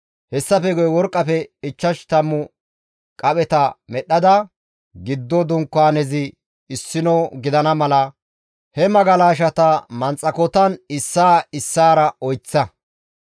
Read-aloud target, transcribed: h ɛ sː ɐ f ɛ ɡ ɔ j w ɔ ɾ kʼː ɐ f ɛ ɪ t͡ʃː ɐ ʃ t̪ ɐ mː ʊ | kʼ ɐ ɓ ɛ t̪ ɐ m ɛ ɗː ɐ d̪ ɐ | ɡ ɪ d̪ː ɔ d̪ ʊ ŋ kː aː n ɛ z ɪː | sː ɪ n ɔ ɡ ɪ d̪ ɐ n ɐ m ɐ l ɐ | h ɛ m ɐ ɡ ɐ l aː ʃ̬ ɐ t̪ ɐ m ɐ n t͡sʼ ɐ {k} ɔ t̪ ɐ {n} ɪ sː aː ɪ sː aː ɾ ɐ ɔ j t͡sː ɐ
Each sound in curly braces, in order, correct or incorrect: correct, correct

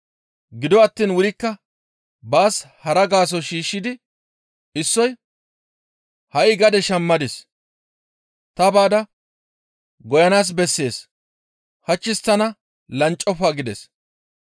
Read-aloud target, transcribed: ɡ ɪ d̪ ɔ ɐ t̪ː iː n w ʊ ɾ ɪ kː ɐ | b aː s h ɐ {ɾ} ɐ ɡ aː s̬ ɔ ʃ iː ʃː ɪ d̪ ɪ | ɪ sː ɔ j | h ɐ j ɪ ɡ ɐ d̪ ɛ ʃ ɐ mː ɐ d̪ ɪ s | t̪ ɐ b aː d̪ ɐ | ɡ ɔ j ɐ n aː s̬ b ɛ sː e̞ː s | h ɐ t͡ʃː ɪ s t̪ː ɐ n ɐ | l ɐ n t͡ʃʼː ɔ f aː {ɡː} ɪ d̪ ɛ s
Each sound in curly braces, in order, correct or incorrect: correct, incorrect: ɡ

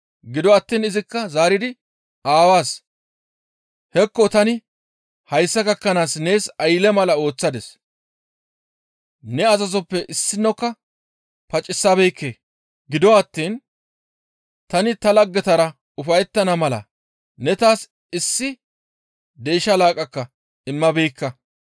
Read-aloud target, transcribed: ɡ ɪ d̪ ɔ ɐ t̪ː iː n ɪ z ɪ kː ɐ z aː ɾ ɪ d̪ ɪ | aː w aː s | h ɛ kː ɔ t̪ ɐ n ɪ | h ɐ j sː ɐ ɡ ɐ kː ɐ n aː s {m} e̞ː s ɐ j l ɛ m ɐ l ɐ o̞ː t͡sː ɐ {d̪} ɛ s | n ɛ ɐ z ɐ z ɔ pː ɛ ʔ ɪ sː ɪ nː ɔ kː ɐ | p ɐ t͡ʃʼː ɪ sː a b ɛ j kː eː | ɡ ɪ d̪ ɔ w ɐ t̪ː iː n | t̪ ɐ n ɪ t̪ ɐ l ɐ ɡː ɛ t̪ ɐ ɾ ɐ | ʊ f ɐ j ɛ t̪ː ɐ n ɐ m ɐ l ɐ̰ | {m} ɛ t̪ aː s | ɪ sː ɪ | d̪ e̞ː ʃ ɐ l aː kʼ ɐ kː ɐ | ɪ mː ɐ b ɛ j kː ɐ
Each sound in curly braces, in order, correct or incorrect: incorrect: n, correct, incorrect: n

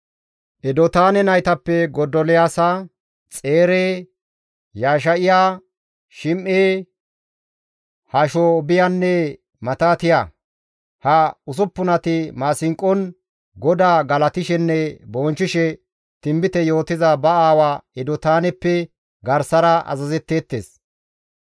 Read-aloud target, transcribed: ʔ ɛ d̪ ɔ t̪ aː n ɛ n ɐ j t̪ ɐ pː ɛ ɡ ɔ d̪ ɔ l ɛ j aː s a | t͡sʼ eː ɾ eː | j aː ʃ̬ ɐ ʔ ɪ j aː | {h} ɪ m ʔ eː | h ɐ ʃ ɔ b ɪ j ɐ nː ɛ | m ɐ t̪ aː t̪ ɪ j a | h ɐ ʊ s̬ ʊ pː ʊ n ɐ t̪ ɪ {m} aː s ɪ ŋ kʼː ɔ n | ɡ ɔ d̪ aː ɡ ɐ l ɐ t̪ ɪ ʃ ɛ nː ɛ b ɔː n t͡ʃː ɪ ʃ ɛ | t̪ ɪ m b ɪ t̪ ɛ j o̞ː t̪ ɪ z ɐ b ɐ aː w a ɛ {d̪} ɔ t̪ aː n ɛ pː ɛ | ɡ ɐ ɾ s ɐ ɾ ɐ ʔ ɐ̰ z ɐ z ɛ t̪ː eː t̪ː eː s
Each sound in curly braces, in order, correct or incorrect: incorrect: ʃ, correct, correct

